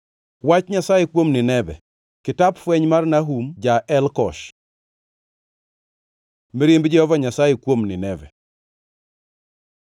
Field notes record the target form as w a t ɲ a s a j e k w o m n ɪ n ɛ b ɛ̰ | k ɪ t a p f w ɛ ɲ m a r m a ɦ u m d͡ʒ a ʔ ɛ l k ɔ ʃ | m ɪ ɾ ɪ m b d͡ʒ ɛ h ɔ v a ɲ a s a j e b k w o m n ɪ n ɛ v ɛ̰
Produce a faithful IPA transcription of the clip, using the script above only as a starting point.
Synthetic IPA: w a t͡ʃ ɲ a s a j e k w o m n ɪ n ɛ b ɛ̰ | k ɪ t a p f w ɛ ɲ m a r n a ɦ u m d͡ʒ a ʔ ɛ l k ɔ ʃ | m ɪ ɾ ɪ m b d͡ʒ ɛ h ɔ v a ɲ a s a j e k w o m n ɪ n ɛ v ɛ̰